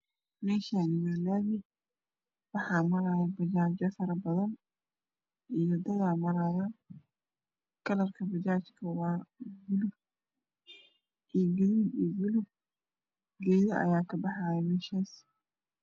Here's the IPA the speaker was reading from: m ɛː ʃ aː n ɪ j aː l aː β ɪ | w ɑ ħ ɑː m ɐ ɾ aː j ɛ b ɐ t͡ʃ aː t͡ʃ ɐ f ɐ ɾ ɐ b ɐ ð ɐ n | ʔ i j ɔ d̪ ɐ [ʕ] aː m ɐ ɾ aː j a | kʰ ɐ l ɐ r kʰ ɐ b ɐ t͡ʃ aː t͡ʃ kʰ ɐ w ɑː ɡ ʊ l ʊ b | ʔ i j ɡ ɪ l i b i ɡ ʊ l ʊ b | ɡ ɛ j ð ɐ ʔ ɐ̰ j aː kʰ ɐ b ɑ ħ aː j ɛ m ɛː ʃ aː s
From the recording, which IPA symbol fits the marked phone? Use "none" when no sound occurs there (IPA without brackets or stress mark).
ɣ